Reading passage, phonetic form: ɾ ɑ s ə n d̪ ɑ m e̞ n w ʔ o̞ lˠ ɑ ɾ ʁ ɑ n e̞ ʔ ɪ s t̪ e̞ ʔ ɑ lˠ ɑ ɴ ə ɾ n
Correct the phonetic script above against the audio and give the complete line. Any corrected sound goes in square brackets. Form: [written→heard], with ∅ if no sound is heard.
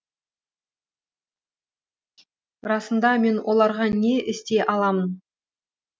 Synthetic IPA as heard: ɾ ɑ s ə n d̪ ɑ m e̞ n w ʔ o̞ lˠ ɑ ɾ ʁ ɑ n e̞ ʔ ɪ s t̪ e̞ ʔ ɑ lˠ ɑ [ɴ→m] ə [ɾ→∅] n